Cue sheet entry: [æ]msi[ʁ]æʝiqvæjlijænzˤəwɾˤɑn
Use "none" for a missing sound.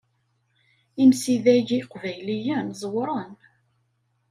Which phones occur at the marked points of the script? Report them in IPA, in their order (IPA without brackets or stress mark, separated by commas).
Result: i, ð